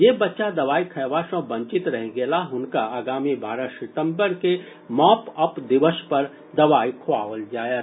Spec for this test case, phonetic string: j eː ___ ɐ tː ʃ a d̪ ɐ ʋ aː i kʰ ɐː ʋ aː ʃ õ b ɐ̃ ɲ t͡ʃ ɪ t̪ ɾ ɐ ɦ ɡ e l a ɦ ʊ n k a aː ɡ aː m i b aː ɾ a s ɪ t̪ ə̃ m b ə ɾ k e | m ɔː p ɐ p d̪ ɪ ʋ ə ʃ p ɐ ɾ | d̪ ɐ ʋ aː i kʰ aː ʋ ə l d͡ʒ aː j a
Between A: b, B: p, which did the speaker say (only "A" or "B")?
A